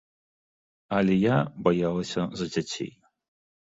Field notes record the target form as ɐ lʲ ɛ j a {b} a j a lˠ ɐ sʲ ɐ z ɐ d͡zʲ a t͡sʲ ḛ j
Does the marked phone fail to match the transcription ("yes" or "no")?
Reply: no